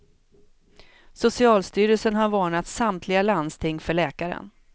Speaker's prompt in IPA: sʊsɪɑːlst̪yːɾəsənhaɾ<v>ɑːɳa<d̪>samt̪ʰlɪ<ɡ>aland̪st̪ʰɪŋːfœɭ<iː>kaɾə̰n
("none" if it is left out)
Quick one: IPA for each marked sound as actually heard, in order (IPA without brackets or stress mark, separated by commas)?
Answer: v, t̪, ɡ, ɛː